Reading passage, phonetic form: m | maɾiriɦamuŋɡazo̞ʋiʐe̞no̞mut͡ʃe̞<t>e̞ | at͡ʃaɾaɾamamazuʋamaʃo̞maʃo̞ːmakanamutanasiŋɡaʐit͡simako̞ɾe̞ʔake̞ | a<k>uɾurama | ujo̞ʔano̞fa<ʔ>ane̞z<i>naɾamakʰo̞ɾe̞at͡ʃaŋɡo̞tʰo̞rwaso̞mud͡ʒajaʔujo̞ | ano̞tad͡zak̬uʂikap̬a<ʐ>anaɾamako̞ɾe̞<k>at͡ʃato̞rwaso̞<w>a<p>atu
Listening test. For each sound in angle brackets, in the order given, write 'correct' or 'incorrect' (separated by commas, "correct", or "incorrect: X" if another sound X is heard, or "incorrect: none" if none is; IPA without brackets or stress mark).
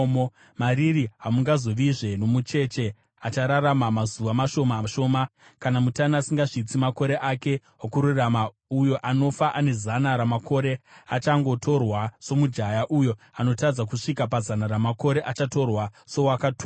incorrect: t͡ʃ, correct, correct, incorrect: a, incorrect: z, incorrect: ʔ, correct, incorrect: k